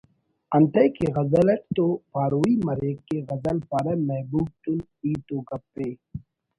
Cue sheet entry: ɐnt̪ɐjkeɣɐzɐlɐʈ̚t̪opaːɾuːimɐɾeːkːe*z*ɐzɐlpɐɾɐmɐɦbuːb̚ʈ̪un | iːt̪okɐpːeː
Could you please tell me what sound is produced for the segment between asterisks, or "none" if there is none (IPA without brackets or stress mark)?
ɣ